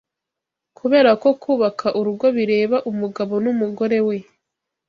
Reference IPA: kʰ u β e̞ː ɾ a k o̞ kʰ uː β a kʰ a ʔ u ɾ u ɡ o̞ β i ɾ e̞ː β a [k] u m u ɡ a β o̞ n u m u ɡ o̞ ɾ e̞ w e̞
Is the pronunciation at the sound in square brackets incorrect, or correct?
incorrect: ʔ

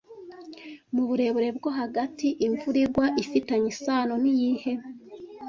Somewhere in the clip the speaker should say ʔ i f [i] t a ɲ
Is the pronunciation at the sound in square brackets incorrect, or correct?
correct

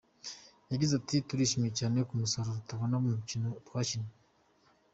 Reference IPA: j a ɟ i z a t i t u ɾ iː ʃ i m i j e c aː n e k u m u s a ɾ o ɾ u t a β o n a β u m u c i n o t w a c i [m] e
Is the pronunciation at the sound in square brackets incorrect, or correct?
incorrect: n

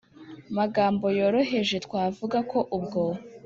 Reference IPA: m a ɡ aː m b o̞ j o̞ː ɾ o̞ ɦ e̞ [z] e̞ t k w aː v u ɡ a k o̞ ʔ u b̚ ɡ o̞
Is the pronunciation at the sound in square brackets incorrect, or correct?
incorrect: ʒ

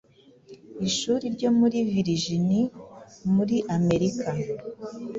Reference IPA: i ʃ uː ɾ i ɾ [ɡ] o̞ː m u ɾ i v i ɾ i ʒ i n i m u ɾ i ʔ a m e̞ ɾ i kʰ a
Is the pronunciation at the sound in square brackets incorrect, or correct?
incorrect: ɟ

